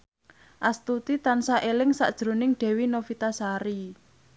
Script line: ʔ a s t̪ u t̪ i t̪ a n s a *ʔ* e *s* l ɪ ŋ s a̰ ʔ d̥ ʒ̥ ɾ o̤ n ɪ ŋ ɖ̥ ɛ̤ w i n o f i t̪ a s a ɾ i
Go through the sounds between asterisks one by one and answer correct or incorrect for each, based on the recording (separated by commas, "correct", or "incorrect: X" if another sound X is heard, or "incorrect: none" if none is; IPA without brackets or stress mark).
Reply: correct, incorrect: none